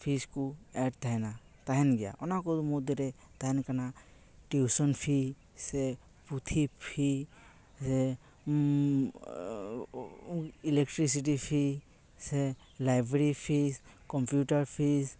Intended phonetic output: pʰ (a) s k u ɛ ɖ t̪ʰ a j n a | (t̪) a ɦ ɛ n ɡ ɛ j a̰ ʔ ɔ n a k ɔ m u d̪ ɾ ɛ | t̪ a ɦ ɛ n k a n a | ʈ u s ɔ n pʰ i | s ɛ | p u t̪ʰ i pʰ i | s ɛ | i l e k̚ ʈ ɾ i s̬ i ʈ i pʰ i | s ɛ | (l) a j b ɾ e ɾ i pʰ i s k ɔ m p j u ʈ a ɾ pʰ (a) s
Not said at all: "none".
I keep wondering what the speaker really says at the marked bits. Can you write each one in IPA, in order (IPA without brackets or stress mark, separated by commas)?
i, t̪, l, i